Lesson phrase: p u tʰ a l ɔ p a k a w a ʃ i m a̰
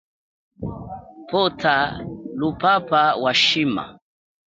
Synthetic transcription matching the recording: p ɔ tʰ a l u p a p a w a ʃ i m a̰

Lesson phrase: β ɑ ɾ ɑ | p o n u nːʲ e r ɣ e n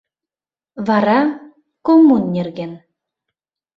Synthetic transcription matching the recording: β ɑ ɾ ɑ | k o m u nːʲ e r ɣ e n

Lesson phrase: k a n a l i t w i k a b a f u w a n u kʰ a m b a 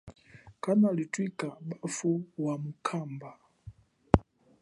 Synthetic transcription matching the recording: k a n a l i t w i k a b a f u w a m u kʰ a m b a

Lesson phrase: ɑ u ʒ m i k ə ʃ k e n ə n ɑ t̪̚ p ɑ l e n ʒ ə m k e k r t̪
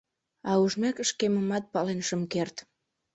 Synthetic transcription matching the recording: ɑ u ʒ m e k ə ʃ k e m ə m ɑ t̪̚ p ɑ l e n ʃ ə m k e r t̪

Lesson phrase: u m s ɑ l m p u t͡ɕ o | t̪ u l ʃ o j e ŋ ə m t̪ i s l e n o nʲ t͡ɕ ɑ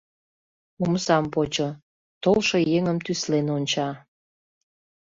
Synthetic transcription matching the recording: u m s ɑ m p o t͡ɕ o | t̪ o l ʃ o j e ŋ ə m t̪ y s l e n o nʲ t͡ɕ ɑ

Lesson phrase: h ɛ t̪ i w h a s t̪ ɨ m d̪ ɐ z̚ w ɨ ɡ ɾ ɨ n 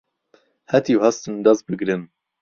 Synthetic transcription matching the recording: h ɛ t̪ i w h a s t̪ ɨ n d̪ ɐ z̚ b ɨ ɡ ɾ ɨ n

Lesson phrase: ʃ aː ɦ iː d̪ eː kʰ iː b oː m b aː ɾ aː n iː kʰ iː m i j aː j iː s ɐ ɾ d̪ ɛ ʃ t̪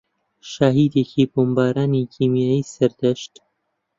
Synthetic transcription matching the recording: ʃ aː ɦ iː d̪ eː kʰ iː b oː m b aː ɾ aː n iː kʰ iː m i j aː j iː s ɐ ɾ d̪ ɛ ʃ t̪

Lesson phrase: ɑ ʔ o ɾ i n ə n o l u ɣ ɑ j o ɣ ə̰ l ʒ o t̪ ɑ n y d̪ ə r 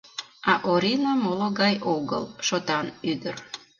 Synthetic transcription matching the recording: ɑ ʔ o ɾ i n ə m o l o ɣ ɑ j o ɣ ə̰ l ʃ o t̪ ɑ n y d̪ ə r

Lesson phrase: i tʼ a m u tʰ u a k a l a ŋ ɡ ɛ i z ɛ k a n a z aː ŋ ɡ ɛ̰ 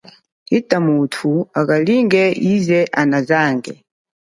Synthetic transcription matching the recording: i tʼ a m u tʰ u a k a l i ŋ ɡ ɛ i z ɛ ʔ a n a z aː ŋ ɡ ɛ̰

